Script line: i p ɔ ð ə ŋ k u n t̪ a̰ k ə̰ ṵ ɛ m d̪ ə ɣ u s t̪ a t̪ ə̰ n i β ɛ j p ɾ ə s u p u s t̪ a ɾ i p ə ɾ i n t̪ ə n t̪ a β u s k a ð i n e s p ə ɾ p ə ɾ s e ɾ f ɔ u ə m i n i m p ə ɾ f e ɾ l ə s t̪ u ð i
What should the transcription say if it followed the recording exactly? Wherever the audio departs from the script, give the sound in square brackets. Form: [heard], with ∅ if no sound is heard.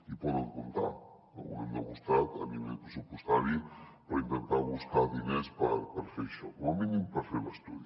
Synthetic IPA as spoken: i p ɔ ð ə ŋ k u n t̪ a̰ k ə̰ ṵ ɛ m d̪ ə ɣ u s t̪ a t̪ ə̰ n i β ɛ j p ɾ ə s u p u s t̪ a ɾ i p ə ɾ i n t̪ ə n t̪ a β u s k a ð i n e s p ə ɾ p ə ɾ [f] e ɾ [ʃ] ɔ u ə m i n i m p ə ɾ f e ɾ l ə s t̪ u ð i